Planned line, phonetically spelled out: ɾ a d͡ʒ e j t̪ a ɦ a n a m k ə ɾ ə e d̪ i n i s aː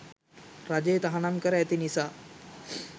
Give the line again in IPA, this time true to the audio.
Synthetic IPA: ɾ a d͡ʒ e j t̪ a ɦ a n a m k ə ɾ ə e t̪ i n i s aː

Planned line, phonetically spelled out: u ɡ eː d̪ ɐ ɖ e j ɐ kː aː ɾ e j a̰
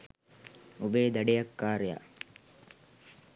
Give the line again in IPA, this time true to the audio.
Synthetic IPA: u b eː d̪ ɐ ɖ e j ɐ kː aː ɾ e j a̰

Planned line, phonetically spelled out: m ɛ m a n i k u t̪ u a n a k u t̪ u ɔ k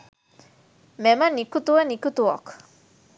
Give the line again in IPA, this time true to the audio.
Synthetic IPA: m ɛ m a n i k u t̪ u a n i k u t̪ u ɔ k

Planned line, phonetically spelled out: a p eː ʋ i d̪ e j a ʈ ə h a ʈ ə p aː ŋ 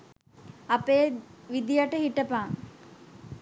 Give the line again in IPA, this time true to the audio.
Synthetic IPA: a p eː ʋ i d̪ i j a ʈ ə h i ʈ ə p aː ŋ

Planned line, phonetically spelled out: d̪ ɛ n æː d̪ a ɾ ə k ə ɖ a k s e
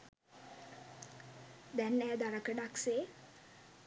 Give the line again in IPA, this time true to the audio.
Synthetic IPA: d̪ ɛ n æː d̪ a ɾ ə k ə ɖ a k s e

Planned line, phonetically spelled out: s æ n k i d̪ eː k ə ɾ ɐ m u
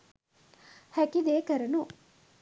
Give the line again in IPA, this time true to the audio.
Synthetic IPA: h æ k i d̪ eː k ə ɾ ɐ n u

